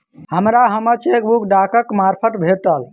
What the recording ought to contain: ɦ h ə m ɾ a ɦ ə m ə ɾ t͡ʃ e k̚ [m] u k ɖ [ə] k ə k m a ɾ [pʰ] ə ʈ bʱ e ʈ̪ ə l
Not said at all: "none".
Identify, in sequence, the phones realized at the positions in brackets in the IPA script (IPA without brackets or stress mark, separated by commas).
b, a, pʰ